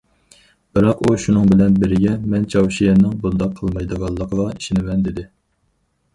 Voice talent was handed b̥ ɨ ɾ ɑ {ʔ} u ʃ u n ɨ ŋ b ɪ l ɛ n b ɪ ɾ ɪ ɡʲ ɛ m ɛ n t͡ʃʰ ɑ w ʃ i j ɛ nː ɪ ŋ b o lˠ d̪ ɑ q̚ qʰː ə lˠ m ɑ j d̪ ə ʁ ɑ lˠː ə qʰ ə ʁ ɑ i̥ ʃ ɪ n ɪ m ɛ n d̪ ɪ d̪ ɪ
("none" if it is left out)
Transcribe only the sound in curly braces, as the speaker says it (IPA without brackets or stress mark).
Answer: q